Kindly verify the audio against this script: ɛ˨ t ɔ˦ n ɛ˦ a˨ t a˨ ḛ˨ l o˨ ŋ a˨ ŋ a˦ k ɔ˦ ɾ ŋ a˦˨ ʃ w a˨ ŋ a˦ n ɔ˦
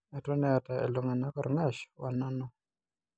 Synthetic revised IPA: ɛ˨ t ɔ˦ n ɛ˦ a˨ t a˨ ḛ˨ l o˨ ŋ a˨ n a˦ k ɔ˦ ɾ ŋ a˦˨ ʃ w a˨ n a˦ n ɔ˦